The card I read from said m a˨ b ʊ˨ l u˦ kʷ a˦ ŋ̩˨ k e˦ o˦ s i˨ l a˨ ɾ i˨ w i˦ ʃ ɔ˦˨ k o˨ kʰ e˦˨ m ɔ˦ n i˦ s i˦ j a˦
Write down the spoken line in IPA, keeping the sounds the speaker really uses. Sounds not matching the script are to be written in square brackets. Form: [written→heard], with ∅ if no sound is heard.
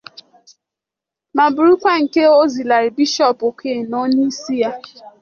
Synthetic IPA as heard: m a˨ b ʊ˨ [l→ɾ] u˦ kʷ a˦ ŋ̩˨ k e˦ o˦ [s→z] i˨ l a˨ ɾ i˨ [w→b] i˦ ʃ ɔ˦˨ [k→p] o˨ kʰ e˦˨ [m→n] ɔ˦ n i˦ s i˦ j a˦